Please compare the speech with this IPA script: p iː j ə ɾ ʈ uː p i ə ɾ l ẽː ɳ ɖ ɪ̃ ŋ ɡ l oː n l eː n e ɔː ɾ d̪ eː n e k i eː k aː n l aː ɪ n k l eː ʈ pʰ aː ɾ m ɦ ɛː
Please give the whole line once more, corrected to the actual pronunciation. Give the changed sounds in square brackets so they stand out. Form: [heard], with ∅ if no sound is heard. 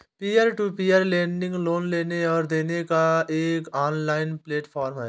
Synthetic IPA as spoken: p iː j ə ɾ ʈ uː p i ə ɾ l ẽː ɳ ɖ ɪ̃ ŋ ɡ l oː n l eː n e ɔː ɾ d̪ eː n e k [a] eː k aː n l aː ɪ n [p] l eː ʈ pʰ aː ɾ m ɦ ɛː